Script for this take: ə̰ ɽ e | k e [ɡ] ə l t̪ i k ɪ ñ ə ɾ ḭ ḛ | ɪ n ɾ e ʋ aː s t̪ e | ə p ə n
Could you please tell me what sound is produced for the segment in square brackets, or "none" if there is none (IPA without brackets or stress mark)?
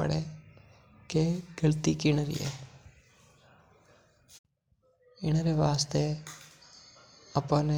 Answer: ɡ